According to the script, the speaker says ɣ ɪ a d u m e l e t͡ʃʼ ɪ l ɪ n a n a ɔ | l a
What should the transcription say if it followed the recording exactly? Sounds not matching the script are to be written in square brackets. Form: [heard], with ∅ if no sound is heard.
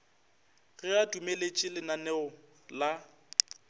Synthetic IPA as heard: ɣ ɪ a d u m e l e t͡ʃʼ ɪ l ɪ n a n [ɛ] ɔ | l a